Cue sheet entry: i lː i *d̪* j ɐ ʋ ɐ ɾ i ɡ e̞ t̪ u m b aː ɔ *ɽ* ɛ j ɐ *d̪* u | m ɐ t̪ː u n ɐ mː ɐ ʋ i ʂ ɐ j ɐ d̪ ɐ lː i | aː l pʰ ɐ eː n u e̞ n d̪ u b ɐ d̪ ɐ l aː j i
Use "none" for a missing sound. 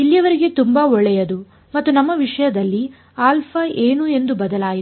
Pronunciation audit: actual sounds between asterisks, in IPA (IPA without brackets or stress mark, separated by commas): none, ɭ, d̪